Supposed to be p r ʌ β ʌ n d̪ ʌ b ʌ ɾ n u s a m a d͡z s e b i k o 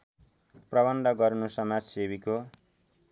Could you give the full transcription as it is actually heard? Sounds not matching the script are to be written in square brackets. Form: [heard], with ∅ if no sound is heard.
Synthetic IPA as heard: p r ʌ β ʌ n d̪ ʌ [ɡ] ʌ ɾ n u s [ʌ] m a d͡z s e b i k o

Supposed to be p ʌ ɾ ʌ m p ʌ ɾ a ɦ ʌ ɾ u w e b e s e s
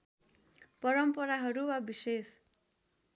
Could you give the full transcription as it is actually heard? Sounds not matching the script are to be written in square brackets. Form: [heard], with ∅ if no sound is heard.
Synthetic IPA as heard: p ʌ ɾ ʌ m p ʌ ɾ a ɦ ʌ ɾ u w [a] b [i] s e s

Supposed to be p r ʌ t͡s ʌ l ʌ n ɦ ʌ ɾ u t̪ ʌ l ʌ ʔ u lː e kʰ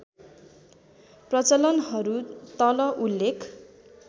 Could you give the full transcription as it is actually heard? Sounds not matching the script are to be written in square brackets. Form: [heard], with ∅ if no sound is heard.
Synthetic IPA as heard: p r ʌ t͡s ʌ l ʌ n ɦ ʌ ɾ u t̪ ʌ l ʌ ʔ u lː e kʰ

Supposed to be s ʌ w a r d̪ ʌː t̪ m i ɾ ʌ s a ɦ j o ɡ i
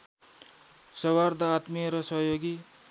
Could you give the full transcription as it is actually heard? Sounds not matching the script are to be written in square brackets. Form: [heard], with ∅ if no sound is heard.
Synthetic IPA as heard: s ʌ w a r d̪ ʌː t̪ m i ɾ ʌ s [ʌ] ɦ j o ɡ i

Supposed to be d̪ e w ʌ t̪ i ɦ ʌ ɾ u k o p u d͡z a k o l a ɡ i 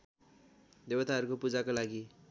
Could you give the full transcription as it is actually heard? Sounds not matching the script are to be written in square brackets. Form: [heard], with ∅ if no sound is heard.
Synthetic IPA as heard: d̪ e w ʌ t̪ [a] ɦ ʌ ɾ u k o p u d͡z a k o l a ɡ i

